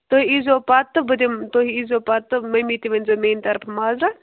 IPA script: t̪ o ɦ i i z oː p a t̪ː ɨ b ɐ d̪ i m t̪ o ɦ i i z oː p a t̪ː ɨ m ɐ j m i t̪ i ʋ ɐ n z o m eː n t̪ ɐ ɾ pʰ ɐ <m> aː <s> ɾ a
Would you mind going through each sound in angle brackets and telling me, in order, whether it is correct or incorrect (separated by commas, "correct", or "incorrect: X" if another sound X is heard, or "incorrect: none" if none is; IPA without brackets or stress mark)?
correct, incorrect: z